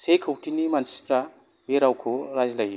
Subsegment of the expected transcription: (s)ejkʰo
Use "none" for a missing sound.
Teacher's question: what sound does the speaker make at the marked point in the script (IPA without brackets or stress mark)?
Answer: s